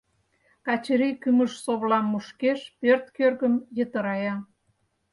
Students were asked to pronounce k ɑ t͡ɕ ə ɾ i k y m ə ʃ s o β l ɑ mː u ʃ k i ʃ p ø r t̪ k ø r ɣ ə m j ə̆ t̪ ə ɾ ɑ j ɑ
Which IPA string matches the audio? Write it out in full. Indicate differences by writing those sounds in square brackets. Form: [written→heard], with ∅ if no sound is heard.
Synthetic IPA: k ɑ t͡ɕ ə ɾ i k y m ə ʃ s o β l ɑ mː u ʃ k [i→e] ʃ p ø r t̪ k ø r ɣ ə m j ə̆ t̪ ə ɾ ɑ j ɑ